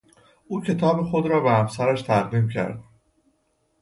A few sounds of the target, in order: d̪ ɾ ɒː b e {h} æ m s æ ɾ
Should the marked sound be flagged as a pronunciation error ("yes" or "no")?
no